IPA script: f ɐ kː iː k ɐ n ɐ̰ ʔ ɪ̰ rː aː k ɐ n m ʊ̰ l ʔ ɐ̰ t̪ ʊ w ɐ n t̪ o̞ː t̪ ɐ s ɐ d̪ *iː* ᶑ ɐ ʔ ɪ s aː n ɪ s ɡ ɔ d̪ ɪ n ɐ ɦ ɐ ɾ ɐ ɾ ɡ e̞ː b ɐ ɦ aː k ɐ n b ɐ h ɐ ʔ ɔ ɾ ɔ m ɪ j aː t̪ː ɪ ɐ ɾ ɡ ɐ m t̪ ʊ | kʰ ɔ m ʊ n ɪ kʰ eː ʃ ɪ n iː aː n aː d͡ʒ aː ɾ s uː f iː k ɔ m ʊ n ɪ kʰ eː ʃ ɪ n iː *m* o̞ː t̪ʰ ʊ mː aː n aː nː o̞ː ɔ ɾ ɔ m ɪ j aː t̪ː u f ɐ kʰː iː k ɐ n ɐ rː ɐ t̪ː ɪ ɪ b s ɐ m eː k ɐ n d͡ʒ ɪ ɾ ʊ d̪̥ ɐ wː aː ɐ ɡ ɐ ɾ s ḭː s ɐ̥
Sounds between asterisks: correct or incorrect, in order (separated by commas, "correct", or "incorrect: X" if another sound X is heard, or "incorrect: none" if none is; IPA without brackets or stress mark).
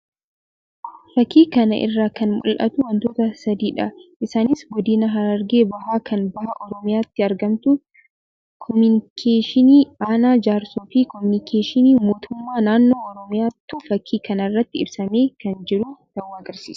correct, correct